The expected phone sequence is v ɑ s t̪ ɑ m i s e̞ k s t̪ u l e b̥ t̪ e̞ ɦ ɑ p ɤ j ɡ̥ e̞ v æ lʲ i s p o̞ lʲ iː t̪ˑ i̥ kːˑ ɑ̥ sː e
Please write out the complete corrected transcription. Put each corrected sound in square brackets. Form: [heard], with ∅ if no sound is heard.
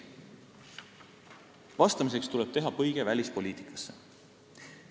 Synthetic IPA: v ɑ s t̪ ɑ m i s e̞ k s t̪ u l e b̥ t̪ e̞ ɦ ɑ p ɤ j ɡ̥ e̞ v æ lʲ i s p o̞ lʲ iː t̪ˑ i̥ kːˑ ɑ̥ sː e